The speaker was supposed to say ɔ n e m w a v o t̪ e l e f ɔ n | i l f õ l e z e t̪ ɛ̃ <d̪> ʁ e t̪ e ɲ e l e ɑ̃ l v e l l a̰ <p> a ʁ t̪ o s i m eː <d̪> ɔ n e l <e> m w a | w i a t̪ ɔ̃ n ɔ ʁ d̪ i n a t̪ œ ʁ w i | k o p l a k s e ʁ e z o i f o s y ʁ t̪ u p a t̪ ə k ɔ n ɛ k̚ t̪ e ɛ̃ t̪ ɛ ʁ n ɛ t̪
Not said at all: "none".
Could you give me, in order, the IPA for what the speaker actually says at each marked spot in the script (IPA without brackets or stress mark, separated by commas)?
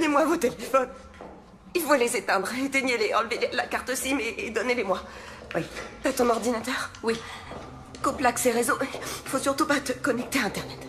d̪, k, d̪, e